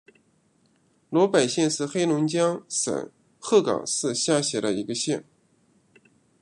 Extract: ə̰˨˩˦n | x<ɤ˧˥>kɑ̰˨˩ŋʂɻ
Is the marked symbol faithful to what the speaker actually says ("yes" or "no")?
no